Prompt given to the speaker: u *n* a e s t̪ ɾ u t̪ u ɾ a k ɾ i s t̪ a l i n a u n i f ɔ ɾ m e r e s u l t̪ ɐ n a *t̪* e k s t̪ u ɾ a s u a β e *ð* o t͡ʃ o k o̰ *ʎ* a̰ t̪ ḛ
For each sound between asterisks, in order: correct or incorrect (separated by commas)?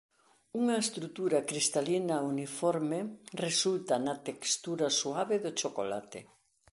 incorrect, correct, correct, incorrect